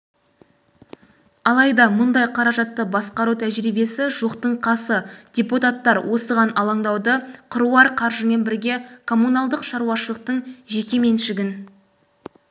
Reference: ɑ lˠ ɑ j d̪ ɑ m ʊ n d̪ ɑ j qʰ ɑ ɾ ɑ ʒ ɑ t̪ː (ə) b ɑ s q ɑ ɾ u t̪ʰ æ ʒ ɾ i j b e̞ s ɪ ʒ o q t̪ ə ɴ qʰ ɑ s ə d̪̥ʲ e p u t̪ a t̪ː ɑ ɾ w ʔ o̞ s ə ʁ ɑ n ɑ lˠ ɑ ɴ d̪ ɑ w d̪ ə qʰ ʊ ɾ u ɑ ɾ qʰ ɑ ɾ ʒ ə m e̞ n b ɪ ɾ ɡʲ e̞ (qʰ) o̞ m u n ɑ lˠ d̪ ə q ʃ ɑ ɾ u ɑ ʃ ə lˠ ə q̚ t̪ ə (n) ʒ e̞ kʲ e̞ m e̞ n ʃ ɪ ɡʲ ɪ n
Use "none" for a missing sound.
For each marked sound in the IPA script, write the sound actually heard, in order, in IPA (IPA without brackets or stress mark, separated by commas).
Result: ə, kʰ, ɴ